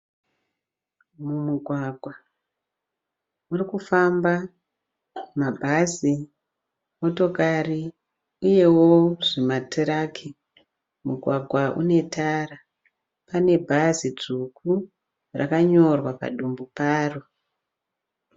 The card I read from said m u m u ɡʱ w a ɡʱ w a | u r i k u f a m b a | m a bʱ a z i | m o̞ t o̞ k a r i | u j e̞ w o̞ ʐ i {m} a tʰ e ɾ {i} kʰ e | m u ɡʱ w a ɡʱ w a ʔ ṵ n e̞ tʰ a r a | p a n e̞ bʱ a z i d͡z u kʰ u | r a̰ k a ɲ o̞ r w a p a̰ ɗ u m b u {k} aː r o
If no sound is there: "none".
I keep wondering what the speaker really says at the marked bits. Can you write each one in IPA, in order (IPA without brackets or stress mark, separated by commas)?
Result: m, a, p